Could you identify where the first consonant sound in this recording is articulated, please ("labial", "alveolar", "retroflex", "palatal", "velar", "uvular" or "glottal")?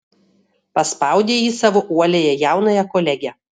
labial